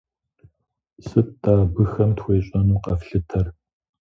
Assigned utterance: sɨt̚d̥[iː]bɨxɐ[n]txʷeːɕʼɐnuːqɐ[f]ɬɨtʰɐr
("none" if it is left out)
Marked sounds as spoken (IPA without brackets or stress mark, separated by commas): aː, m, f